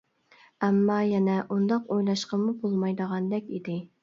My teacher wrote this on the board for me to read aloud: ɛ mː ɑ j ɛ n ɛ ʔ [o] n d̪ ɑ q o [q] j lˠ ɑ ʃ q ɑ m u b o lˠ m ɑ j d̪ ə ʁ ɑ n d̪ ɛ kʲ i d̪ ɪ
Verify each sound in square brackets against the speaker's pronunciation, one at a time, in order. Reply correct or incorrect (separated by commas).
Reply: incorrect, incorrect